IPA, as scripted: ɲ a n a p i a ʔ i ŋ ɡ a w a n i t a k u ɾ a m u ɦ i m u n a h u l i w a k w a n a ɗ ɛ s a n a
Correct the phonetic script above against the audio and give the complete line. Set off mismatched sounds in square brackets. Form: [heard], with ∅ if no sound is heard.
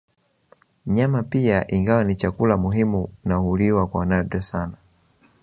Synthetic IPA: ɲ a [m] a p i a ʔ i ŋ ɡ a w a n i [t͡ʃ] a k u [l] a m u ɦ i m u n a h u l i w a k w a n a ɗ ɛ s a n a